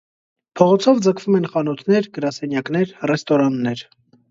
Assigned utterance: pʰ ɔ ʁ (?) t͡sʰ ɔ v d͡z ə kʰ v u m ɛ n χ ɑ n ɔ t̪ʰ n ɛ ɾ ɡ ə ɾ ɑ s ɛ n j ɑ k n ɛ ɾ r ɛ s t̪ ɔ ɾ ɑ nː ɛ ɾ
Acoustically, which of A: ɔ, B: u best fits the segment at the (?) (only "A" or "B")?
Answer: A